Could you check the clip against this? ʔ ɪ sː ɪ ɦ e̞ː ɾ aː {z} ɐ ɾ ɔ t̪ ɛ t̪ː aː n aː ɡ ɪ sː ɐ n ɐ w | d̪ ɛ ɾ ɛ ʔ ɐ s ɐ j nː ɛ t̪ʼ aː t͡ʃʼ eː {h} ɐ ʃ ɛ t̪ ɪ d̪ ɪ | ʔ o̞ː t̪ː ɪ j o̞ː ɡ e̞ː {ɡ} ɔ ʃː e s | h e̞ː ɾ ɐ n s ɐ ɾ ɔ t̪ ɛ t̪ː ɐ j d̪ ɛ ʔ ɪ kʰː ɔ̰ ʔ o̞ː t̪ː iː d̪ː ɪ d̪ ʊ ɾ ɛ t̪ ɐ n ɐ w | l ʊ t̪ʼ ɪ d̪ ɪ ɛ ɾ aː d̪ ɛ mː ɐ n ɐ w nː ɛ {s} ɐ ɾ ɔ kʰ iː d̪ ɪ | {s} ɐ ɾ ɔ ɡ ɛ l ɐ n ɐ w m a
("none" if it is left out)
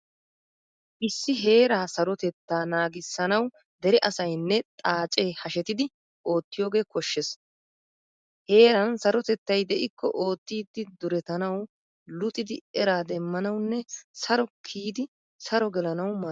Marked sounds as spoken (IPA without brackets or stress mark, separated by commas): s, h, k, s, s